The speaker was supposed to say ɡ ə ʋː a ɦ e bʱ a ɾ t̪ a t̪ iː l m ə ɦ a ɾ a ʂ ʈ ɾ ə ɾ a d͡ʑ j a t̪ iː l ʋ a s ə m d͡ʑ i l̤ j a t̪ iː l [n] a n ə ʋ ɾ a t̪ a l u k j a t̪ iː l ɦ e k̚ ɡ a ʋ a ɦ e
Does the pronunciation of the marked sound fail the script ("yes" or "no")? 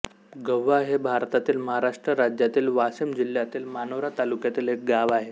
yes